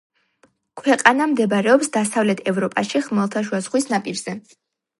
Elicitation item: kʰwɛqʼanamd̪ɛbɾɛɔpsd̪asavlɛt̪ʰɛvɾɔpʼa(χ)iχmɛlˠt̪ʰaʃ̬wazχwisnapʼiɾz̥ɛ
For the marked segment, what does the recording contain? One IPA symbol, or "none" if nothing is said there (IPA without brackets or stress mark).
ʃ